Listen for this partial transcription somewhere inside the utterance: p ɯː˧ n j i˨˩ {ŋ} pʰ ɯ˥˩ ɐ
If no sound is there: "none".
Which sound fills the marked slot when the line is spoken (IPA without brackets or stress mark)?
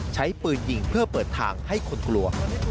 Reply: ŋ